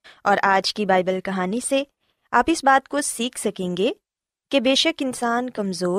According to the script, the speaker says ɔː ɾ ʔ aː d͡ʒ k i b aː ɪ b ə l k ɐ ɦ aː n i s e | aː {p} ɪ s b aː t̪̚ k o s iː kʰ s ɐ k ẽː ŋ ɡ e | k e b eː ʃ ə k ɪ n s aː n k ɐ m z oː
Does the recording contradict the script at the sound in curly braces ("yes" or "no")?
no